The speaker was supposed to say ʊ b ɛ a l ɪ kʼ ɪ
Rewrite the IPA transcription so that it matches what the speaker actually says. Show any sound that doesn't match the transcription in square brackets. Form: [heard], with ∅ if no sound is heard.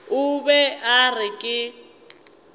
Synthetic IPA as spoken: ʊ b ɛ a [r] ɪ kʼ ɪ